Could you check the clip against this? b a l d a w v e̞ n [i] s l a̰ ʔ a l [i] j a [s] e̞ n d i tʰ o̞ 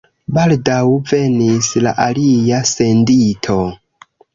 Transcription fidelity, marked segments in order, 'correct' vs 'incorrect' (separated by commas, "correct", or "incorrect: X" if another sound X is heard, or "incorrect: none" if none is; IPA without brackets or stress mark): correct, correct, correct